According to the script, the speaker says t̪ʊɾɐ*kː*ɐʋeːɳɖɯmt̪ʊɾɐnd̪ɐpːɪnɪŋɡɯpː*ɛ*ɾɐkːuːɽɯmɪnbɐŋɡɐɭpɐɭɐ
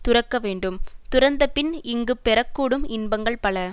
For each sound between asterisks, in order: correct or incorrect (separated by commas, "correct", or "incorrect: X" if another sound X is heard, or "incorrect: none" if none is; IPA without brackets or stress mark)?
correct, correct